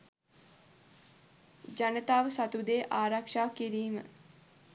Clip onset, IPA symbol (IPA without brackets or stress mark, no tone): d͡ʒ